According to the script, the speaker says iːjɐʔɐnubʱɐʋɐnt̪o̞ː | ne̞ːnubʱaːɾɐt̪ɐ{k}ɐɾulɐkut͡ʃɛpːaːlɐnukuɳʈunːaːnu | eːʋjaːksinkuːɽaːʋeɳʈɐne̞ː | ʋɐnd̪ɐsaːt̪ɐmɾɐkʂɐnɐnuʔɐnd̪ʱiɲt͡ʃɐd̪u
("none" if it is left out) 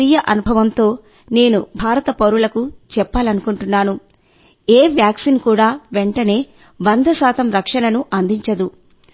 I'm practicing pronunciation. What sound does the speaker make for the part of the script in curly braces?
p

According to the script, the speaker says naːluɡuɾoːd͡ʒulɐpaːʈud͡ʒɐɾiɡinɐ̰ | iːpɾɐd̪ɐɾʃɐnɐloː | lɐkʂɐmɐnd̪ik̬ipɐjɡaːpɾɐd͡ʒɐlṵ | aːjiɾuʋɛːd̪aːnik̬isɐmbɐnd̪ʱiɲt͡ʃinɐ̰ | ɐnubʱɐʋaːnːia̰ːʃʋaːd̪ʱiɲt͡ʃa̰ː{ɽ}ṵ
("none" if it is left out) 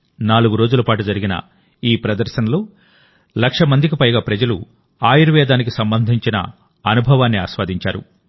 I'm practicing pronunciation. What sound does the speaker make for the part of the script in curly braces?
ɾ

